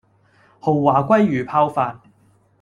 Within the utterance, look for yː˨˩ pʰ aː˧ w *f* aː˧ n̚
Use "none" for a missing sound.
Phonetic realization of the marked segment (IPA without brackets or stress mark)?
f